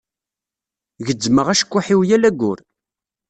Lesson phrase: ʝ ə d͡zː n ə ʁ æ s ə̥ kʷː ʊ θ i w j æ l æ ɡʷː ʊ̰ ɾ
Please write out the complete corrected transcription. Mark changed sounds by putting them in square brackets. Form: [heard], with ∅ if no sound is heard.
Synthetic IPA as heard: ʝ ə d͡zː [m] ə ʁ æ [ʃ] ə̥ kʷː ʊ [ħ] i w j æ l æ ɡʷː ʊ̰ ɾ

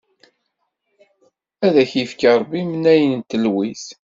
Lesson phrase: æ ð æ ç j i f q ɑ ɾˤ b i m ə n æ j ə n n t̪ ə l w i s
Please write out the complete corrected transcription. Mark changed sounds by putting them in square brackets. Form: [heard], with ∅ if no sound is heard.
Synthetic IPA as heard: æ ð æ ç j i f [k] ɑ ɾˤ b i m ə n æ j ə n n t̪ ə l w i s

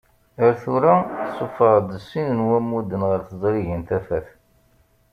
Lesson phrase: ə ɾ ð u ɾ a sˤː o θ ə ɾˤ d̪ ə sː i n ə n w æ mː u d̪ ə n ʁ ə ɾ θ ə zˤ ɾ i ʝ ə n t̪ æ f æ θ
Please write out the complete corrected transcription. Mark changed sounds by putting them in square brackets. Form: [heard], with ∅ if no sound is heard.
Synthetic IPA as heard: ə ɾ [θ] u ɾ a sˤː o [f] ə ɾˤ d̪ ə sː i n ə n w æ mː u d̪ ə n ʁ ə ɾ θ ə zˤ ɾ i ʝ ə n t̪ æ f æ θ

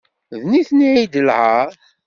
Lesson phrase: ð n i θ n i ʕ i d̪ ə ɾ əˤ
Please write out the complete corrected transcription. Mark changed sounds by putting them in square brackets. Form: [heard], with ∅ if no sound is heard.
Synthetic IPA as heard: ð n i θ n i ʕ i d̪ ə [l] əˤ

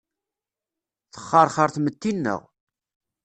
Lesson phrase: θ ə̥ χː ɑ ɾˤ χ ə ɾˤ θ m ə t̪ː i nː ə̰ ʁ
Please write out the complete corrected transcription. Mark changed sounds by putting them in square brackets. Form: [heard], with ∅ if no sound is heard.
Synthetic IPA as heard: θ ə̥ χː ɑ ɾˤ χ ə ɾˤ θ m ə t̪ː i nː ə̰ ʁ

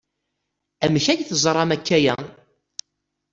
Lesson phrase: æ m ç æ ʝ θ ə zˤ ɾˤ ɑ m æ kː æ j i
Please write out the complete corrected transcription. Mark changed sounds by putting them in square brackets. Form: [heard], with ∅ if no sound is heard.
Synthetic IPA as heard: æ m ç æ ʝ θ ə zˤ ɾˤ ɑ m æ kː æ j [æ]

